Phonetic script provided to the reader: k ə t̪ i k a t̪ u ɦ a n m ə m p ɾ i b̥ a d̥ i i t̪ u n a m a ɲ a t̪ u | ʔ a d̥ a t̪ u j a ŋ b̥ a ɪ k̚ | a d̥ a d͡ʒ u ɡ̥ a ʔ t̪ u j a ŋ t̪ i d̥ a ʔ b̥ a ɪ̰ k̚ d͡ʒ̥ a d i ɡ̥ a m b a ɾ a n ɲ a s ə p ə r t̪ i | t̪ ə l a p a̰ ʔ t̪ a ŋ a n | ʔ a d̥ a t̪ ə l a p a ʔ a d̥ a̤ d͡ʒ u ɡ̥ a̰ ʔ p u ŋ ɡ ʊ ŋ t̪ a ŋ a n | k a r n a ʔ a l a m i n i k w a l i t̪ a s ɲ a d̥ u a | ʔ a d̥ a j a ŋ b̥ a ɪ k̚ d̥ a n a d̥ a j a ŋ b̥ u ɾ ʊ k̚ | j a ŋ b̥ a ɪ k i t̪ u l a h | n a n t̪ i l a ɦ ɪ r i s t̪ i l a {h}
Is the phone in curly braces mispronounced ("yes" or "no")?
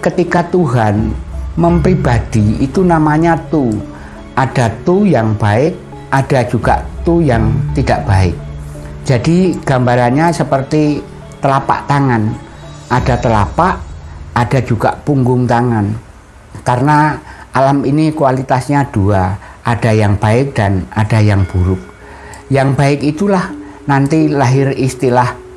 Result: no